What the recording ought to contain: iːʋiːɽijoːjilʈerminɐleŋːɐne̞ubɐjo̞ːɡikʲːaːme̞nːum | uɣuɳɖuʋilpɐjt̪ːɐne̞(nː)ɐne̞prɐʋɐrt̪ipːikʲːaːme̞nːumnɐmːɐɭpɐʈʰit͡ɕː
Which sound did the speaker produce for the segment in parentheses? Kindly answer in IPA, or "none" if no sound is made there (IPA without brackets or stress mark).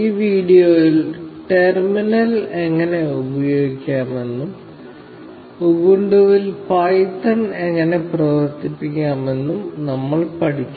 ŋː